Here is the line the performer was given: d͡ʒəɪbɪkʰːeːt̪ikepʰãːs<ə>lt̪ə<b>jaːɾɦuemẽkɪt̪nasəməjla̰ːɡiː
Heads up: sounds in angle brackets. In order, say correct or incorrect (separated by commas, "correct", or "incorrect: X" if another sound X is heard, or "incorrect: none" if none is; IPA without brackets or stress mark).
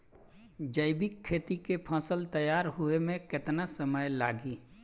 correct, incorrect: none